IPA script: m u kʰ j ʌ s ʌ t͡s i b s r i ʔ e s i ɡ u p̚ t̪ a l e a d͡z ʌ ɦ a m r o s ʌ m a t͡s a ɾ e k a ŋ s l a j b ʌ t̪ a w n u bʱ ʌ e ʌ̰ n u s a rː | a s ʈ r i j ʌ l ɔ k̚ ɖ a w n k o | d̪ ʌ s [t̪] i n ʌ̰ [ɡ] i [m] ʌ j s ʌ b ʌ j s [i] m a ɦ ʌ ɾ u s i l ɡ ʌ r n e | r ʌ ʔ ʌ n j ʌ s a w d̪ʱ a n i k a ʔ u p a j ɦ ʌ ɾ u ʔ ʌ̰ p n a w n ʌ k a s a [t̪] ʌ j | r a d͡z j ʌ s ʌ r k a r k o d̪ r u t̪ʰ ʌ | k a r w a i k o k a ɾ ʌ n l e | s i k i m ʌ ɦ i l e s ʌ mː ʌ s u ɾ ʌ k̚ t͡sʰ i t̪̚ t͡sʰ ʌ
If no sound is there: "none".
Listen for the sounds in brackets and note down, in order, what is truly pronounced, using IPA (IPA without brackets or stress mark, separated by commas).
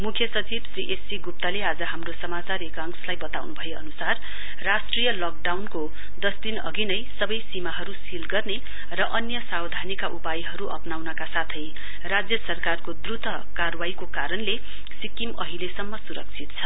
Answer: d̪, ɡ, n, i, t̪ʰ